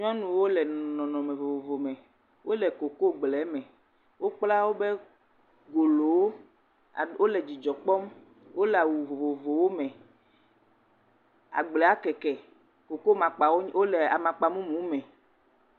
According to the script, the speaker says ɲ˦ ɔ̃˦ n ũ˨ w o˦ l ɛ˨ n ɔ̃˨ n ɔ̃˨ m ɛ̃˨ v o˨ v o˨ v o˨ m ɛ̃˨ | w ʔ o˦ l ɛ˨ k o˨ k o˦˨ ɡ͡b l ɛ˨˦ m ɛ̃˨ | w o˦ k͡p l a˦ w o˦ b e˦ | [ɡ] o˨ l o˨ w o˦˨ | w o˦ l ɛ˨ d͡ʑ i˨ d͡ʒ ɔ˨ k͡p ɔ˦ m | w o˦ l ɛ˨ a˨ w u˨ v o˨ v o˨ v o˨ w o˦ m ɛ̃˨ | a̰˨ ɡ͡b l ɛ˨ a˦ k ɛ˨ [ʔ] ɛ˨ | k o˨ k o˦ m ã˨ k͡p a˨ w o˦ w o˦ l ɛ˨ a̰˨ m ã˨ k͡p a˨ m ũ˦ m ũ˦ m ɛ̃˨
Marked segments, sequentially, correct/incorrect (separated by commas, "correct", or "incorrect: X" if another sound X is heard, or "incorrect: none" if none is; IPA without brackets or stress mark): correct, incorrect: k